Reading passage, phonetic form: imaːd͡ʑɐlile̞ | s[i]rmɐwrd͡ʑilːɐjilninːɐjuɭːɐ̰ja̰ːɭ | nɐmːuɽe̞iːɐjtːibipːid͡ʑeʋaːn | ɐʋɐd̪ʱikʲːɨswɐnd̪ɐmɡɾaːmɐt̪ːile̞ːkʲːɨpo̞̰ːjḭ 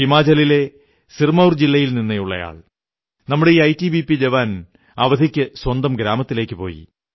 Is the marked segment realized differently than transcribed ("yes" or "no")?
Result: no